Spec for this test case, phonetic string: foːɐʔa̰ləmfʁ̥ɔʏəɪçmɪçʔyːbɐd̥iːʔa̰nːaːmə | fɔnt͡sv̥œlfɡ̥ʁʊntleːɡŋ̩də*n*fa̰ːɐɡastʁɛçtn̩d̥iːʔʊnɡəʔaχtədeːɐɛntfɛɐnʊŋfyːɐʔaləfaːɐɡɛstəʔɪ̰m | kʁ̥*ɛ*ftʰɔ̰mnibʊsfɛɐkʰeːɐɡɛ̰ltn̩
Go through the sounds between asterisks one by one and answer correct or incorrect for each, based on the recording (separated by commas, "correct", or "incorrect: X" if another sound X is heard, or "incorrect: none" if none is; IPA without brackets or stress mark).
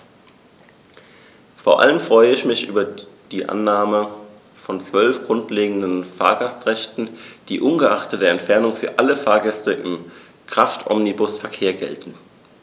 correct, incorrect: a